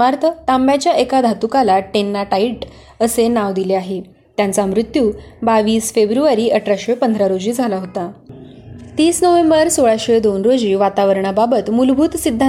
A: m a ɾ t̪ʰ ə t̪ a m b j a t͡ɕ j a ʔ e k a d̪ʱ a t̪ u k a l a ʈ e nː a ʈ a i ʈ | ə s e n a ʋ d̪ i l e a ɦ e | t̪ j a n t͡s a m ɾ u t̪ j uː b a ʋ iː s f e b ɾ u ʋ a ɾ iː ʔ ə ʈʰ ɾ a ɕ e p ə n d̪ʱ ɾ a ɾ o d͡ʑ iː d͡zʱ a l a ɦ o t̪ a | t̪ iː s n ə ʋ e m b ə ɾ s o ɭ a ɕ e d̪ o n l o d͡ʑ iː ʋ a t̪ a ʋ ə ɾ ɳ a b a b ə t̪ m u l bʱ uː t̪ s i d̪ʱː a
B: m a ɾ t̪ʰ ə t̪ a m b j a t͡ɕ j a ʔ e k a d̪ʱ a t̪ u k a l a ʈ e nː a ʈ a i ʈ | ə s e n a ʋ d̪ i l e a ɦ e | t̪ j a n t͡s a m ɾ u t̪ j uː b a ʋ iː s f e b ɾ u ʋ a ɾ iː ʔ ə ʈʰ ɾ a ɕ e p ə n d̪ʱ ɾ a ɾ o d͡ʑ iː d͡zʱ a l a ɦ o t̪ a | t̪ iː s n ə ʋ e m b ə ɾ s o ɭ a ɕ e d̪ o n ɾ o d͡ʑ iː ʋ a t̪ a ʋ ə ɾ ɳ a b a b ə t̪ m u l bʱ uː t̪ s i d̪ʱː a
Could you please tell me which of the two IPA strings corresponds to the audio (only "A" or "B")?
B